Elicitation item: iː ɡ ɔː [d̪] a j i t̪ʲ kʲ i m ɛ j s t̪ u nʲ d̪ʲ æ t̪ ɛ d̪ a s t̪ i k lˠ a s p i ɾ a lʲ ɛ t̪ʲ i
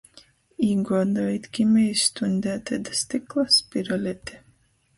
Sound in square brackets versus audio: correct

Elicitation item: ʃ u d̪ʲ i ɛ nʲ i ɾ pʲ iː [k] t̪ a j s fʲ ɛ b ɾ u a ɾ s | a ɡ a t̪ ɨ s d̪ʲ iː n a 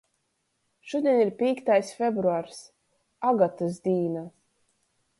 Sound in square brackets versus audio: correct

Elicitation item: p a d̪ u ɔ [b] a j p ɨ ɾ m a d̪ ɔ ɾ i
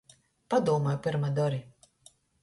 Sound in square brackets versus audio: incorrect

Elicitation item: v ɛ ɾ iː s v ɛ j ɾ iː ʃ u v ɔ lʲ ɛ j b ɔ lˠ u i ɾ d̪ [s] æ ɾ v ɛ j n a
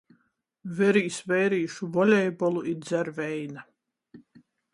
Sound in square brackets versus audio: incorrect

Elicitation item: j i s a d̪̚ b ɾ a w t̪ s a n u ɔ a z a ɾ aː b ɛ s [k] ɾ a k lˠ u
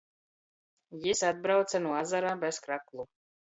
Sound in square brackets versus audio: correct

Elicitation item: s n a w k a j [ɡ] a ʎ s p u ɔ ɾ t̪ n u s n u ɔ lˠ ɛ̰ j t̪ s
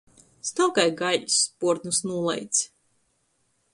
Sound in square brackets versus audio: correct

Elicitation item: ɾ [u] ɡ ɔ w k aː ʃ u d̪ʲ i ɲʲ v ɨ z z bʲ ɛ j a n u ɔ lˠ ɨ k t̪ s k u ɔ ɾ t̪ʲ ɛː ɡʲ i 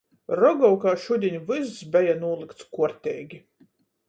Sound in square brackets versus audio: incorrect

